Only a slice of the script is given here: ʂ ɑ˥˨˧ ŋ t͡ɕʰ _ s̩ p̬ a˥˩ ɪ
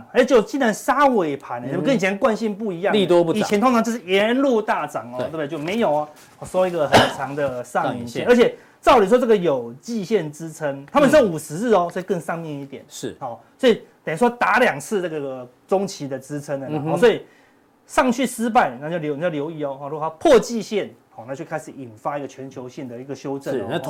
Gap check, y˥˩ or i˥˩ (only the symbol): y˥˩